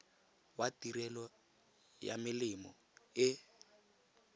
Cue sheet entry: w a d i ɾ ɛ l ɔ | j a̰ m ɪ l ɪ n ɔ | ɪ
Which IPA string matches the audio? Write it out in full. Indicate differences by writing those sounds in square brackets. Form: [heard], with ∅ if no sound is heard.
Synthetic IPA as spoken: w a [t] i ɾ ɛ l ɔ | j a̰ m ɪ l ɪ [m] ɔ | ɪ